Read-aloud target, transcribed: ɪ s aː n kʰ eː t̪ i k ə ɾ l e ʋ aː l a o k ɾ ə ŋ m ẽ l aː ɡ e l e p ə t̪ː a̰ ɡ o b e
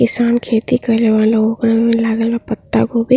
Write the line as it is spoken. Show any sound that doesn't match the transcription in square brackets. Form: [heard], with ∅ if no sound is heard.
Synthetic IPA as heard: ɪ s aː n kʰ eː t̪ i k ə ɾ l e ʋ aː l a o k ɾ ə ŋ m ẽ l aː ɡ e l [a] p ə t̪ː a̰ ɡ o b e